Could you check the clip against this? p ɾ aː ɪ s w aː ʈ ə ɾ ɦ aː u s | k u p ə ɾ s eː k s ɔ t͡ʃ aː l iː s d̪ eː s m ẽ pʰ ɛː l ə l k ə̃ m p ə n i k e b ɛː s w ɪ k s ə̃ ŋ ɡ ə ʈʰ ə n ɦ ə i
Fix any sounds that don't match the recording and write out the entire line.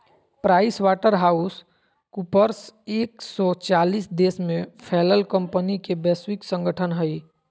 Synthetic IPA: p ɾ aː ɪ s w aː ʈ ə ɾ ɦ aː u s | k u p ə ɾ s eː k s ɔ t͡ʃ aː l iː s d̪ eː s m ẽ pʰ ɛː l ə l k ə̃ m p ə n i k e b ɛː s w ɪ k s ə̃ ŋ ɡ ə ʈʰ ə n ɦ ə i